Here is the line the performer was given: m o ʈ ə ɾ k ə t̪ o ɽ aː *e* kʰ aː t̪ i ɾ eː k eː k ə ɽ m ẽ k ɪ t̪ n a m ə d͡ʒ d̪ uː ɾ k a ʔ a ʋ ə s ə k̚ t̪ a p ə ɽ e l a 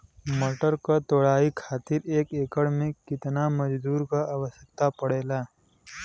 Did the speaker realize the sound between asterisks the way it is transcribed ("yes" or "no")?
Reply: no